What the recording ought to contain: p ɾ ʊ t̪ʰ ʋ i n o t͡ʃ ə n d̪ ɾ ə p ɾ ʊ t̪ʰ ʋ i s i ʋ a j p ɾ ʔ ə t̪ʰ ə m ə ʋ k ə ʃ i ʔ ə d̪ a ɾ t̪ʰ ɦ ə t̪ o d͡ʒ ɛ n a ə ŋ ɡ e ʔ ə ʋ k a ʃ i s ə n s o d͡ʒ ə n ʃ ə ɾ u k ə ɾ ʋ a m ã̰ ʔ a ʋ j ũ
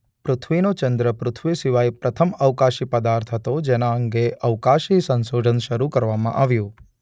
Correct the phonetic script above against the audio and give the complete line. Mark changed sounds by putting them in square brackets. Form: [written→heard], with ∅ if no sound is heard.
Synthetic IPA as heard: p ɾ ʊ t̪ʰ ʋ i n o t͡ʃ ə n d̪ ɾ ə p ɾ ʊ t̪ʰ ʋ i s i ʋ a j p ɾ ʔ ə t̪ʰ ə m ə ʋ k [ə→a] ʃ i [ʔ→p] ə d̪ a ɾ t̪ʰ ɦ ə t̪ o d͡ʒ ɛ n a ə ŋ ɡ e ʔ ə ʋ k a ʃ i s ə n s o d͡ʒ ə n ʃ ə ɾ u k ə ɾ ʋ a m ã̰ ʔ a ʋ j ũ